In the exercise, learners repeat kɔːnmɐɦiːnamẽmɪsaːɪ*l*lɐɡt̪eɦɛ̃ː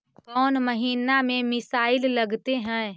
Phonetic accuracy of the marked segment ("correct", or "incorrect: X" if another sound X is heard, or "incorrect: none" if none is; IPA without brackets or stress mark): correct